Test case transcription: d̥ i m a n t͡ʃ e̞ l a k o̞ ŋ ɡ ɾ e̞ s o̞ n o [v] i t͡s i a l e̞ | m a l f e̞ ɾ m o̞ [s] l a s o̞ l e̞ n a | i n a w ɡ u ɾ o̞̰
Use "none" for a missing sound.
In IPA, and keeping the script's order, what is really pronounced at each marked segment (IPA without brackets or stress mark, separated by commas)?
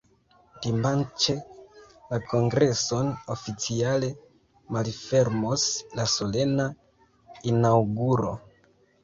f, s